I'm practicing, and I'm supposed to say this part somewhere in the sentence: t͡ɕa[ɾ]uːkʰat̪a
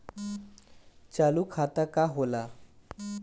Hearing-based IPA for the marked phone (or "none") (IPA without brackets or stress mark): l